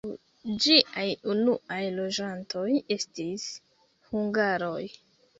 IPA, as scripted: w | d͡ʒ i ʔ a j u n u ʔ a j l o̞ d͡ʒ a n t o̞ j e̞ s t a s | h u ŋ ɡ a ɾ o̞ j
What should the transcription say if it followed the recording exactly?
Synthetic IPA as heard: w | d͡ʒ i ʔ a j u n u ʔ a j l o̞ d͡ʒ a n t o̞ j e̞ s t i s | h u ŋ ɡ a ɾ o̞ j